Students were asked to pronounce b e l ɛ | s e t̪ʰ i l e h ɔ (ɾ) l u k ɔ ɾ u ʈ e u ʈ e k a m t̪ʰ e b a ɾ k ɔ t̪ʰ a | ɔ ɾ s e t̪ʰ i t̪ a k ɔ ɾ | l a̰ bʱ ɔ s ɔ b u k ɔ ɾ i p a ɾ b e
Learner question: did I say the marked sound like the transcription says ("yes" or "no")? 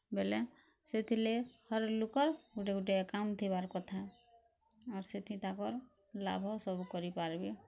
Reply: yes